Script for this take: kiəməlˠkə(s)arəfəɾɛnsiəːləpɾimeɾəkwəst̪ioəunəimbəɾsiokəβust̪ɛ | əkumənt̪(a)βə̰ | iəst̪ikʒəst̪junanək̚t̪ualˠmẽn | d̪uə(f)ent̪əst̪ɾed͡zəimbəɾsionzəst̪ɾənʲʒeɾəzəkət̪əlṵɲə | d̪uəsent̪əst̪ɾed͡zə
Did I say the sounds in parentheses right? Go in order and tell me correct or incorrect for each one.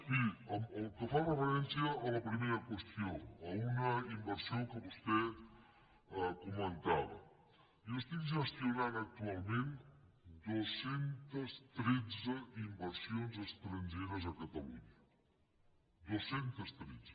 incorrect: f, correct, incorrect: s

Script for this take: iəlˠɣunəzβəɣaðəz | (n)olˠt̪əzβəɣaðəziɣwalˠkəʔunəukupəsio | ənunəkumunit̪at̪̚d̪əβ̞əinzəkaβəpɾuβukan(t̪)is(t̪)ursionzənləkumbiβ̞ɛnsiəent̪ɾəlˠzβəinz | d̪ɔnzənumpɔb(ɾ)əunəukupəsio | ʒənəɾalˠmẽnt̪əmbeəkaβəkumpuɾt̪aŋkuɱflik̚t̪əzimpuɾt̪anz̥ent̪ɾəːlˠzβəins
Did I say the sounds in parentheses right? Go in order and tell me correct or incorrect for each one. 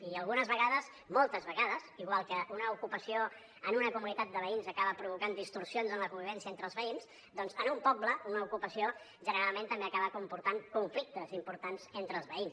incorrect: m, incorrect: d̪, correct, incorrect: l

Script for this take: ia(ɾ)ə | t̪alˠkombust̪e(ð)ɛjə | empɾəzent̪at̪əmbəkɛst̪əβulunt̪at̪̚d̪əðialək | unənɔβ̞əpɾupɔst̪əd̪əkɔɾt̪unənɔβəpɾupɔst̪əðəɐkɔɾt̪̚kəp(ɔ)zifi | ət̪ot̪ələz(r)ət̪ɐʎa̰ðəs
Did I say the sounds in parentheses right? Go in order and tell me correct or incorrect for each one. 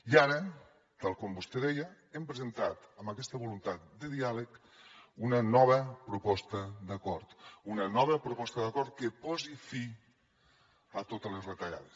correct, correct, correct, correct

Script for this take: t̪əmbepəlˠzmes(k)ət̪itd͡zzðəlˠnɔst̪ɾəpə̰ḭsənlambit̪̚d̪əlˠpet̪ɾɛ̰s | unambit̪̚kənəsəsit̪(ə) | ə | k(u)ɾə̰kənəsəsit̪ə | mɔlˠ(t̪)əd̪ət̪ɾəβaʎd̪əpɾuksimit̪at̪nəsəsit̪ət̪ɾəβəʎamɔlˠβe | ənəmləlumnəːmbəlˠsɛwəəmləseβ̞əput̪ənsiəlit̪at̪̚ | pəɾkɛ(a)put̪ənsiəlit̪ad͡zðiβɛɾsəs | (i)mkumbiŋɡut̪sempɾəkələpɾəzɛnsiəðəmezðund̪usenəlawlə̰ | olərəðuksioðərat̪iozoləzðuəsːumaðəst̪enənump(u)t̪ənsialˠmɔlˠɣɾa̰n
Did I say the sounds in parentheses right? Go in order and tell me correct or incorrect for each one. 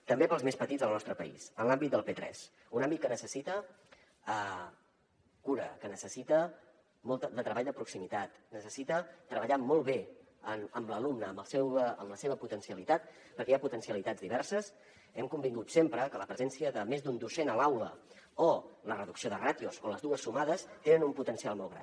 incorrect: p, correct, correct, correct, correct, incorrect: ɛ, correct

